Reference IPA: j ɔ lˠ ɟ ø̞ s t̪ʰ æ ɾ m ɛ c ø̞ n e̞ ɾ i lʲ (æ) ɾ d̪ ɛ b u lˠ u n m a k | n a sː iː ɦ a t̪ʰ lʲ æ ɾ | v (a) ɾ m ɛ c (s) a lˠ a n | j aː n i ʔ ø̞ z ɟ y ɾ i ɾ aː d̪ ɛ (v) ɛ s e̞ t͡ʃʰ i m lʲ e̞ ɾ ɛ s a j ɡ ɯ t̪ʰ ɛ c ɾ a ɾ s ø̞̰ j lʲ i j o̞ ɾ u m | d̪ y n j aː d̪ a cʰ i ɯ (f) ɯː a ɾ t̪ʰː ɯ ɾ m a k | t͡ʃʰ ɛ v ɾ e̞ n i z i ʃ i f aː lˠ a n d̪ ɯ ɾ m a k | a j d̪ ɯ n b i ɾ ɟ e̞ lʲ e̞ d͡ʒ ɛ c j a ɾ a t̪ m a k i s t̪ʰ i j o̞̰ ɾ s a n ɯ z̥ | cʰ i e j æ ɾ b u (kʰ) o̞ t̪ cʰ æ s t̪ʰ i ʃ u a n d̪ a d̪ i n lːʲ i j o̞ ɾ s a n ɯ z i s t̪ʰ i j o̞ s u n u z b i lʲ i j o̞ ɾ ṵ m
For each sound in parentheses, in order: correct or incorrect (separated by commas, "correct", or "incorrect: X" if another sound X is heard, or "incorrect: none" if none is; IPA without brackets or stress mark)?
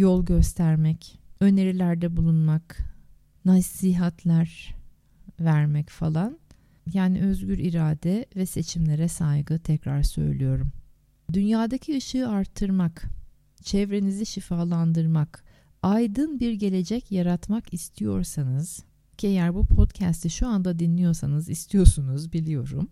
correct, incorrect: æ, incorrect: f, correct, incorrect: ʃ, incorrect: pʰ